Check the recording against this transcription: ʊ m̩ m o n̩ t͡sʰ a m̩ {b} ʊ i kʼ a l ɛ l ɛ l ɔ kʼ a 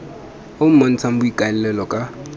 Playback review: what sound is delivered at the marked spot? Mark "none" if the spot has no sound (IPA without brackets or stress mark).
b